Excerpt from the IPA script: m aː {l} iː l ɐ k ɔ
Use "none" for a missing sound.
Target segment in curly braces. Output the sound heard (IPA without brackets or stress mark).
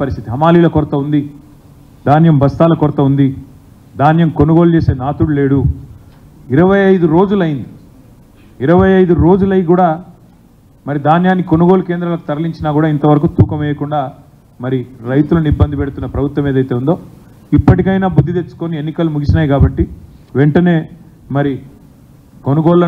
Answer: l